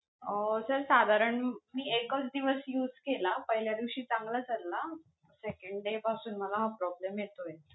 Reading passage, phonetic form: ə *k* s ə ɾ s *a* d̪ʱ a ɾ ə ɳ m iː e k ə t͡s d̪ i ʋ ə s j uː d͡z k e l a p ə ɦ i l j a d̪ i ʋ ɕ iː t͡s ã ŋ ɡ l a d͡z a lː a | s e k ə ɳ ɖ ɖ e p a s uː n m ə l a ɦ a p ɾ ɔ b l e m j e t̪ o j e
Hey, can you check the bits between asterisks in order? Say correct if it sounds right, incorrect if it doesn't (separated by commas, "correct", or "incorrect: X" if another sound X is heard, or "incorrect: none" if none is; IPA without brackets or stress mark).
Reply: incorrect: none, correct